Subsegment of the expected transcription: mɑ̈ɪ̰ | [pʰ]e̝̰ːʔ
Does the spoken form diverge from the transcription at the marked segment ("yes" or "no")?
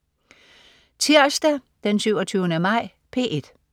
no